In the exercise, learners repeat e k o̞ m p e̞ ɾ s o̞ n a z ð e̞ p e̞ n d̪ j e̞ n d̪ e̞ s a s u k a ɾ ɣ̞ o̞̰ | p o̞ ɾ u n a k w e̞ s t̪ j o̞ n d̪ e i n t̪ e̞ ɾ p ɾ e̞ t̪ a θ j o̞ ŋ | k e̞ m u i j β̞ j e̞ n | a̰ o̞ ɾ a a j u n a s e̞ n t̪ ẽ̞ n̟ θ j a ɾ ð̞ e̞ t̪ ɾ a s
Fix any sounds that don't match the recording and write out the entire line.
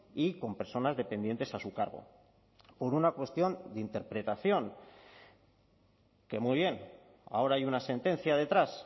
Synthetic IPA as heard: i k o̞ m p e̞ ɾ s o̞ n a z ð e̞ p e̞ n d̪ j e̞ n t̪ e̞ s a s u k a ɾ ɣ̞ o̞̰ | p o̞ ɾ u n a k w e̞ s t̪ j o̞ n d̪ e i n t̪ e̞ ɾ p ɾ e̞ t̪ a θ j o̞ ŋ | k e̞ m u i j β̞ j e̞ n | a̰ o̞ ɾ a a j u n a s e̞ n t̪ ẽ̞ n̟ θ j a ð̞ e̞ t̪ ɾ a s